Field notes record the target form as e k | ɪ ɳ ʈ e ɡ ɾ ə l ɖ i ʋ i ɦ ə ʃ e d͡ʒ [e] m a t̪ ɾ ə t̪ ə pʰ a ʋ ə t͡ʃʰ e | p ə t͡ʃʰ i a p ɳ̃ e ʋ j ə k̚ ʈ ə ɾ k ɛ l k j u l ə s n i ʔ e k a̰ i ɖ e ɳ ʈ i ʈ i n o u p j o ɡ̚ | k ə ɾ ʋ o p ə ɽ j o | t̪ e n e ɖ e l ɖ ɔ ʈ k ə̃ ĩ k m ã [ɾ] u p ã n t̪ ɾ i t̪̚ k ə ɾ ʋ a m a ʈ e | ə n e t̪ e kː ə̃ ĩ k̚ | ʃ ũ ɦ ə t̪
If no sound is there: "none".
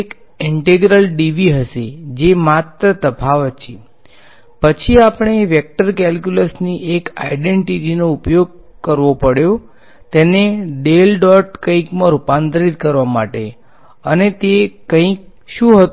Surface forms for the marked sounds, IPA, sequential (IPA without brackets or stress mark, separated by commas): e, ɾ